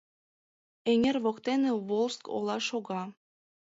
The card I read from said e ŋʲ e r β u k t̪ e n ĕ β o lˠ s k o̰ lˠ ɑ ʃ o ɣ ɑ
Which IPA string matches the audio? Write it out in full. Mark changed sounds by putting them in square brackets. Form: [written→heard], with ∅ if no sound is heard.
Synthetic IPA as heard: e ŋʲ e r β [u→o] k t̪ e n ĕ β o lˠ s k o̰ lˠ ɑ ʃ o ɣ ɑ